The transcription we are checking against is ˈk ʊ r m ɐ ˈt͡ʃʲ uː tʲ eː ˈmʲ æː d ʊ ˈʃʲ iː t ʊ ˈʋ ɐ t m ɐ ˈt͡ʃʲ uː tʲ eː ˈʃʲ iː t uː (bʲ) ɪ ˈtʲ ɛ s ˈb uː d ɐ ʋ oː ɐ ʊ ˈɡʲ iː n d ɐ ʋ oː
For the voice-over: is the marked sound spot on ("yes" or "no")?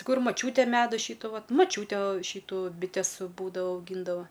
yes